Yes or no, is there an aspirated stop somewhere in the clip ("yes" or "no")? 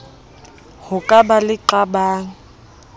no